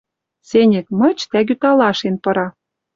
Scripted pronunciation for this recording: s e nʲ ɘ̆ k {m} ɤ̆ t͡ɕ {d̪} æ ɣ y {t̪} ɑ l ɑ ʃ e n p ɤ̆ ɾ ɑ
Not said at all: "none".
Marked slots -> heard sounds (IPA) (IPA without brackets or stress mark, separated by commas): m, t̪, t̪